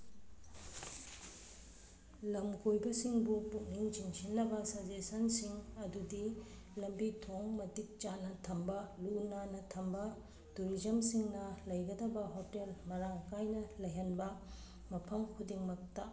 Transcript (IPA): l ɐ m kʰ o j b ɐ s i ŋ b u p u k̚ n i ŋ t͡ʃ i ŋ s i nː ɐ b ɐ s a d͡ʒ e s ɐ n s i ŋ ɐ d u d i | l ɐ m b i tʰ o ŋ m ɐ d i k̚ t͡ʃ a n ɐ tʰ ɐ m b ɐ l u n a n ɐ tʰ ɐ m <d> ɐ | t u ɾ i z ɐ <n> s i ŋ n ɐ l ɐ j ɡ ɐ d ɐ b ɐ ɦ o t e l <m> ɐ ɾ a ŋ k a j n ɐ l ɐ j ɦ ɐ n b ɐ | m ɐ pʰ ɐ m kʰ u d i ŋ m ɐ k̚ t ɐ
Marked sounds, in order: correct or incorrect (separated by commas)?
incorrect, incorrect, correct